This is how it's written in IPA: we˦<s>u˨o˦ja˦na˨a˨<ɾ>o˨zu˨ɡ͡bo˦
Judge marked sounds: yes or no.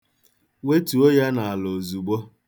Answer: no, no

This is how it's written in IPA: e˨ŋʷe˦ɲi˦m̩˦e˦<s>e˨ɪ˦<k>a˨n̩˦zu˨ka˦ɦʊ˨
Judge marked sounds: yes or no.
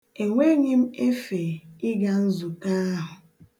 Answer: no, no

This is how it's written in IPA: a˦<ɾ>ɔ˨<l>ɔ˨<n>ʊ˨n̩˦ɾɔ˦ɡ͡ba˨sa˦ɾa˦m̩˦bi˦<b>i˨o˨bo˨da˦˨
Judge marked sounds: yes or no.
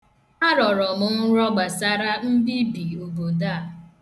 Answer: yes, no, no, yes

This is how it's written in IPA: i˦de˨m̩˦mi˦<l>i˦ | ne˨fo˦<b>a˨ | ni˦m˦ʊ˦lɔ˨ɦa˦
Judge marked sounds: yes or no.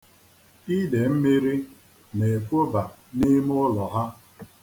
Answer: no, yes

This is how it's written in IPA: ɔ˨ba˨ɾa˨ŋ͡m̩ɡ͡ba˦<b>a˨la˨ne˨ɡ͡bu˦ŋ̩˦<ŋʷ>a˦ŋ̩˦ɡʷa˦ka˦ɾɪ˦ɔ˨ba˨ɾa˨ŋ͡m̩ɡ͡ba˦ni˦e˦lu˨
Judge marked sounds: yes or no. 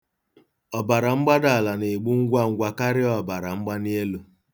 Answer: no, no

